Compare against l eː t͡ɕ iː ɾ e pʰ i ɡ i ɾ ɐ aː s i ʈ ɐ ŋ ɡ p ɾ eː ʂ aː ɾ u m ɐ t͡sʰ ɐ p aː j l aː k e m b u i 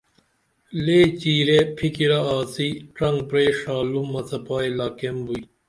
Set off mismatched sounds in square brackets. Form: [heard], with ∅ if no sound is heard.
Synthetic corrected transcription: l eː t͡ɕ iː ɾ e pʰ i [k] i ɾ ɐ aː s i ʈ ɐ ŋ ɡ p ɾ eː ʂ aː [l] u m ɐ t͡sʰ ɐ p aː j l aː k e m b u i